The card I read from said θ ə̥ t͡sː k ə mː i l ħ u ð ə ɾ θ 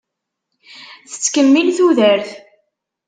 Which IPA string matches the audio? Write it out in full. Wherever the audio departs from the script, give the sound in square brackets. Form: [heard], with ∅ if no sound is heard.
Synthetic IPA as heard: θ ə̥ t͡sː k ə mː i l [θ] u ð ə ɾ θ